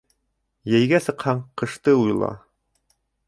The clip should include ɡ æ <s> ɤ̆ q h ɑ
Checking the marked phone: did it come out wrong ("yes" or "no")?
no